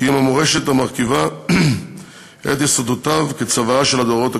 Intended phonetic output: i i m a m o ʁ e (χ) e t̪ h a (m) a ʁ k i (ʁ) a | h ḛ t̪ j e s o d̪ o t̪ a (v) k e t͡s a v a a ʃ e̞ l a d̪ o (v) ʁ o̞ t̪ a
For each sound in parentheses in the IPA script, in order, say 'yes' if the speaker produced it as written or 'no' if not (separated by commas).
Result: no, yes, no, yes, no